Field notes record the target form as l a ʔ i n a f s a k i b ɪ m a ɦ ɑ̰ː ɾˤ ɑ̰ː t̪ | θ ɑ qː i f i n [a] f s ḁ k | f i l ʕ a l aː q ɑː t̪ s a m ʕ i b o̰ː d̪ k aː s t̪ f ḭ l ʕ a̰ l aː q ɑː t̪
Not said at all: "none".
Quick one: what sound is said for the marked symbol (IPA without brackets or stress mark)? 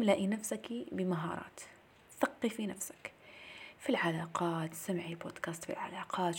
a